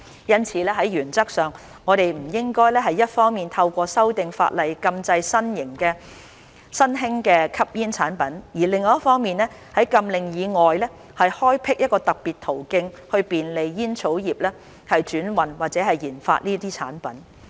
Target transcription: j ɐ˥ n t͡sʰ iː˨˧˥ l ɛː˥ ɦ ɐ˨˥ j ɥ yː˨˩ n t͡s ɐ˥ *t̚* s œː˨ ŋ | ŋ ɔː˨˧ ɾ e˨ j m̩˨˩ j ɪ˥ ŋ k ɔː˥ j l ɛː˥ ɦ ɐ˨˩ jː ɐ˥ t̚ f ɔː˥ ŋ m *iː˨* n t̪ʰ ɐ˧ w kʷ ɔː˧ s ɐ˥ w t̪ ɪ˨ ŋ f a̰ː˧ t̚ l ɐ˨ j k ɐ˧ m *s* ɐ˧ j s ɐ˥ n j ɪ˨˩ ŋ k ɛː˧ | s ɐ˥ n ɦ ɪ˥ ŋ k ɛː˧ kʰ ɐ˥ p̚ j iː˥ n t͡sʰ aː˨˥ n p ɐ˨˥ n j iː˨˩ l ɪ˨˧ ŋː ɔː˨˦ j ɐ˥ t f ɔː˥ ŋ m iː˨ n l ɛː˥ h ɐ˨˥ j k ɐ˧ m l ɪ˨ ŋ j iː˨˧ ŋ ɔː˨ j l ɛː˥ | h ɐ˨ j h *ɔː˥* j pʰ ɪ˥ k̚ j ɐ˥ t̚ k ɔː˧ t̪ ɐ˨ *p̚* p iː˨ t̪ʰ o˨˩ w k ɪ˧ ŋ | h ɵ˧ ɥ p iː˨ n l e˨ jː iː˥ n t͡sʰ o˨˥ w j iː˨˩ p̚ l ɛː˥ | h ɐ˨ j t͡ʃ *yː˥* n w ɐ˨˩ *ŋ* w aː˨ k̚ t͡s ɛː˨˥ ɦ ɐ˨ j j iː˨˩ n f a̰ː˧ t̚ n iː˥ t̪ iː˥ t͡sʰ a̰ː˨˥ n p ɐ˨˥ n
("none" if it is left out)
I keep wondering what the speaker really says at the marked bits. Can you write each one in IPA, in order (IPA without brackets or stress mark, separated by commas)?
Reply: k̚, iː˨, t͡s, ɔː˥, k̚, yː˨˥, n